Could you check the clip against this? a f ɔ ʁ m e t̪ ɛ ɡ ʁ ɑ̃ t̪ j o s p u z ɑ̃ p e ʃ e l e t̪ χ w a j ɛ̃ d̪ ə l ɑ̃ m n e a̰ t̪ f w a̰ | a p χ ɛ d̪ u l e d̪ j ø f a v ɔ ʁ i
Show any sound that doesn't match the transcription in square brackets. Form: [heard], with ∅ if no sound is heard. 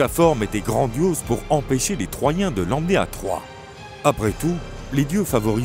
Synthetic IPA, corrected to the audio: a f ɔ ʁ m e t̪ ɛ ɡ ʁ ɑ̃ [d̪] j o [z] p u [ʁ] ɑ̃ p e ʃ e l e t̪ χ w a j ɛ̃ d̪ ə l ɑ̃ m n e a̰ t̪ [χ] w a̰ | a p χ ɛ [t̪] u l e d̪ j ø f a v ɔ ʁ i